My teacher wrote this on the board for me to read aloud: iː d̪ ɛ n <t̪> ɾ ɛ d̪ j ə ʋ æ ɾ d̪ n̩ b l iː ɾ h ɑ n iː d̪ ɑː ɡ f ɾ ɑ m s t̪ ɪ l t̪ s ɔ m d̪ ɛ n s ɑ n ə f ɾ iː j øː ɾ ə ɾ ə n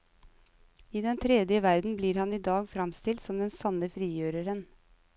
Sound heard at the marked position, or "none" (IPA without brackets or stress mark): t̪ʰ